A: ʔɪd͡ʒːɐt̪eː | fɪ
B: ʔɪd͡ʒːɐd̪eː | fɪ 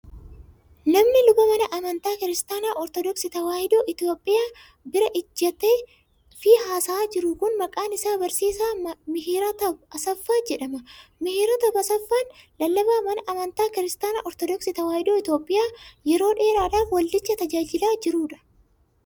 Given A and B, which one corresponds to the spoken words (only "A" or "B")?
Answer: A